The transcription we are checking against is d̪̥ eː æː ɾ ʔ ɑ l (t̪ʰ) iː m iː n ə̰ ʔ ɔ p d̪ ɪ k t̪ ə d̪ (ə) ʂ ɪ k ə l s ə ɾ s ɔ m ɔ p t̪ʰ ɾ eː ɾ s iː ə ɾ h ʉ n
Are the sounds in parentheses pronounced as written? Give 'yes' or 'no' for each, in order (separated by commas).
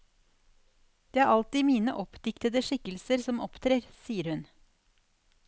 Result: no, yes